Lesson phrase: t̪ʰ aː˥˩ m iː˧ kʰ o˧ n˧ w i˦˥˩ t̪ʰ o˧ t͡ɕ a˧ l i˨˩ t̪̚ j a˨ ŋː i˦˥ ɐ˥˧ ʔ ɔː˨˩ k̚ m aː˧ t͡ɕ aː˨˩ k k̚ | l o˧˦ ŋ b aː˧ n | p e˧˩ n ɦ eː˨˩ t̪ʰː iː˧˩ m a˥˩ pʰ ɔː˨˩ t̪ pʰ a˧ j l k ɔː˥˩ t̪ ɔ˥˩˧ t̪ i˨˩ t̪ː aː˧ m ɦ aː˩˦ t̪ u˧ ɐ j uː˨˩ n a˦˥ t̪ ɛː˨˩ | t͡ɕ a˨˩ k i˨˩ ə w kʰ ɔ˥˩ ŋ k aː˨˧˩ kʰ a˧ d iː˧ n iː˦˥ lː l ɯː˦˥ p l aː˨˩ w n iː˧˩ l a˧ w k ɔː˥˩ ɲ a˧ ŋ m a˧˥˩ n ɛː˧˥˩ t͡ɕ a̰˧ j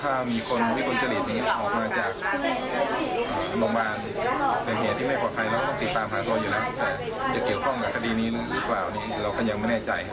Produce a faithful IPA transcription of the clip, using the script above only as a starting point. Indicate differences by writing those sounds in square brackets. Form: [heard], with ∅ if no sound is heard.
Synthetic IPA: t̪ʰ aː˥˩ m iː˧ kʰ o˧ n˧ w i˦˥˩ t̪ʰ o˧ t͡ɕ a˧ l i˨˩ t̪̚ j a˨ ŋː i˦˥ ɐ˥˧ ʔ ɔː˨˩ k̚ m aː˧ t͡ɕ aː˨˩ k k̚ | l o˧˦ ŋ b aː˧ n | p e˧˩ n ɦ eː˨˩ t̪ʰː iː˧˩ m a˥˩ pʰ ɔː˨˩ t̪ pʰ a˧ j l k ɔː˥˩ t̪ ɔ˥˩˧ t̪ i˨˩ t̪ː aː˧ m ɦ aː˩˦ t̪ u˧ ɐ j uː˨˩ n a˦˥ t̪ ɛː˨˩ | t͡ɕ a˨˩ k i˨˩ ə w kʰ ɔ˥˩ ŋ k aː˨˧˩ kʰ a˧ d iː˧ n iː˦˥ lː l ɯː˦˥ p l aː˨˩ w n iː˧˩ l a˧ w k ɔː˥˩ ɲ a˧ ŋ m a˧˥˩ n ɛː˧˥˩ t͡ɕ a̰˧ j